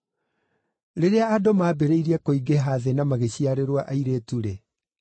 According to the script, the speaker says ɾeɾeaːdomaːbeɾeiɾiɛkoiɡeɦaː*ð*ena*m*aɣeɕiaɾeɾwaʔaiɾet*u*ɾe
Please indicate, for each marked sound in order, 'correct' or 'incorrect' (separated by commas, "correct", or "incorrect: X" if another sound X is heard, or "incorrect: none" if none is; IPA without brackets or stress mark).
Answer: correct, correct, correct